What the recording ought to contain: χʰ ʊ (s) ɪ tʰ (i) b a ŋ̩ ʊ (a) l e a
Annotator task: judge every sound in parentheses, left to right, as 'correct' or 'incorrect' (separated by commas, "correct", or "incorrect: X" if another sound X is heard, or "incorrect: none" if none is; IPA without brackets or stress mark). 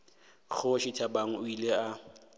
incorrect: ʃ, incorrect: a, incorrect: i